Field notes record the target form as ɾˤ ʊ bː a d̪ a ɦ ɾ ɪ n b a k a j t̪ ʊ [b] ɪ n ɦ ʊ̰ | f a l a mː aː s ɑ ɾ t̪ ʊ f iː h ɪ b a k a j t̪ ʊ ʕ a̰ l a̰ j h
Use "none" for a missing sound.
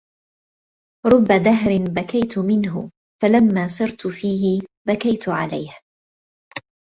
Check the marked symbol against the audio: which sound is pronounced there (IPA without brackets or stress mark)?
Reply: m